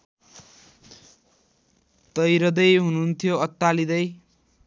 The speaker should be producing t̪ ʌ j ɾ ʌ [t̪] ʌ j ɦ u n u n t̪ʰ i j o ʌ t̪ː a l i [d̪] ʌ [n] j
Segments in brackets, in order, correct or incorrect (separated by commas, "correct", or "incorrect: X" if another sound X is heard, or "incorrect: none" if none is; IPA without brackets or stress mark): incorrect: d̪, correct, incorrect: none